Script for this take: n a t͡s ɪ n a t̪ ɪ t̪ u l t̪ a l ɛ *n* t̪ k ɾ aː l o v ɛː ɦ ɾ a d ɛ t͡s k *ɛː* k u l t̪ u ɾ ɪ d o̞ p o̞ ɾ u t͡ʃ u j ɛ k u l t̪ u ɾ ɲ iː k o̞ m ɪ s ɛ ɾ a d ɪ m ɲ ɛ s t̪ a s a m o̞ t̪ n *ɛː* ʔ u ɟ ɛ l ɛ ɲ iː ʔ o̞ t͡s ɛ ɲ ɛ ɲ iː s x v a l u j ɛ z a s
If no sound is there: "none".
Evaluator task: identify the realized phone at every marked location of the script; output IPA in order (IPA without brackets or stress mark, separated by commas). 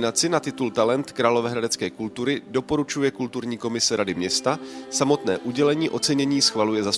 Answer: n, ɛː, ɛː